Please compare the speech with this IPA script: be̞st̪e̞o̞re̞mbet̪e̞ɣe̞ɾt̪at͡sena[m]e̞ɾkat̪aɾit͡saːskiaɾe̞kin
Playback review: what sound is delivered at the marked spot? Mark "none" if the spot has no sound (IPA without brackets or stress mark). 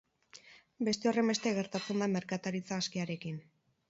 m